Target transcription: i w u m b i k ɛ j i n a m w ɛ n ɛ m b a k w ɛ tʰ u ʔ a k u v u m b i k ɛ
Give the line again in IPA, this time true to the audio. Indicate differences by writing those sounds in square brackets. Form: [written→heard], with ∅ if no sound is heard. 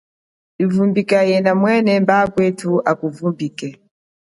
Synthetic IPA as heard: i [w→v] u m b i k [ɛ→a] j [i→ɛ] n a m w ɛ n ɛ m b a k w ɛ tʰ u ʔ a k u v u m b i k ɛ